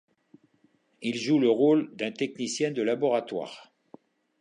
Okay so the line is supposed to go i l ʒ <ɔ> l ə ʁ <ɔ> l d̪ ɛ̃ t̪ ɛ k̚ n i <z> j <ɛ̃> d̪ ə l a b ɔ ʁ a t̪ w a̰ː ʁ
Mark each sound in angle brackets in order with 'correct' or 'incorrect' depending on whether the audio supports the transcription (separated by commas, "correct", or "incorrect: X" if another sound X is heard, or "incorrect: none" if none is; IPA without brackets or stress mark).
incorrect: u, incorrect: o, incorrect: s, correct